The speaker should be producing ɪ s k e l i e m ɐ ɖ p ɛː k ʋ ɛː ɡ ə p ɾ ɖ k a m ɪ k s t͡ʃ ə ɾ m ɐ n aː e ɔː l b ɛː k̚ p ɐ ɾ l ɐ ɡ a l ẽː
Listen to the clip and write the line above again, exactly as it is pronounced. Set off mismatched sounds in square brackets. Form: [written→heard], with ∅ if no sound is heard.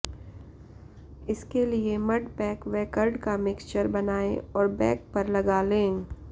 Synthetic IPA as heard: ɪ s k e l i e m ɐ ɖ p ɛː k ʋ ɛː [ɡ→k] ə [p→∅] ɾ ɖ k a m ɪ k s t͡ʃ ə ɾ [m→b] ɐ n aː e ɔː [l→ɾ] b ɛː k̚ p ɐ ɾ l ɐ ɡ a l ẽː